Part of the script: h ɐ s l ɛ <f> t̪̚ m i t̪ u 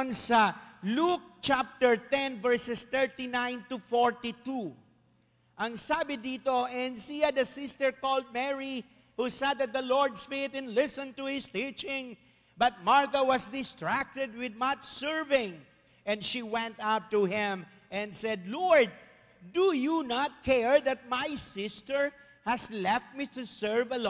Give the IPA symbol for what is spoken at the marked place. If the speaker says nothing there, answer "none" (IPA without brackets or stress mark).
f